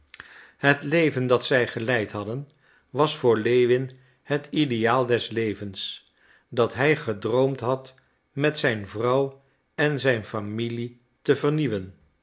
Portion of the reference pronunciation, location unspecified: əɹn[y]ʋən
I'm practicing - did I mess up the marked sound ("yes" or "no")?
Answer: yes